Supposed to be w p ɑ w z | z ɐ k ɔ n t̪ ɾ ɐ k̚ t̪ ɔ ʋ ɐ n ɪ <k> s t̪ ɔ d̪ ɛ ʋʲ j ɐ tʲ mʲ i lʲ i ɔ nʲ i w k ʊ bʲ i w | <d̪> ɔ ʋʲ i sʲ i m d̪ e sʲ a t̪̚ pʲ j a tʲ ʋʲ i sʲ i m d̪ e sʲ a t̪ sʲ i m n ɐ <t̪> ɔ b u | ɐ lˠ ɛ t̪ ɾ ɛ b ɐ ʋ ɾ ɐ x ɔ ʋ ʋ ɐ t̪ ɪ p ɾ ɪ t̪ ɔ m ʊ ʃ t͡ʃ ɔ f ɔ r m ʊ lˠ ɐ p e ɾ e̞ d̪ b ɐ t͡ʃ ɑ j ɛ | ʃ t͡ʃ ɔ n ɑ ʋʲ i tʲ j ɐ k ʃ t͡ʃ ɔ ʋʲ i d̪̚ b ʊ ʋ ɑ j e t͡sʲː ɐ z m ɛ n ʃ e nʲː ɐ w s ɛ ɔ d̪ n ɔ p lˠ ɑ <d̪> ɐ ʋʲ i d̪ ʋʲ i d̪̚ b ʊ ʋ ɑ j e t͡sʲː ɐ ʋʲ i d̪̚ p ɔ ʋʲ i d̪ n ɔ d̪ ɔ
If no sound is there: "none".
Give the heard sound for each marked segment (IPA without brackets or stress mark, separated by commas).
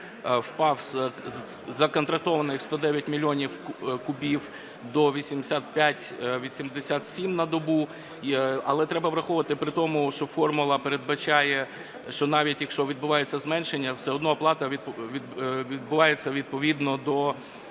x, d̪, d̪, t̪